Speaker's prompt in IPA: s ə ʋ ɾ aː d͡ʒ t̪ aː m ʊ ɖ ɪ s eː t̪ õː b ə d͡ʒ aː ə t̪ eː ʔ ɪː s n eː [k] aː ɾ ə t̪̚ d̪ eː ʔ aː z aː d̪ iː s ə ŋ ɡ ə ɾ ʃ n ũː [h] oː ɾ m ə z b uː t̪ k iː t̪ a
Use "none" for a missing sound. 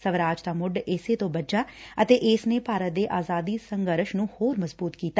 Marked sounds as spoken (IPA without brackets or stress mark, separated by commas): p, h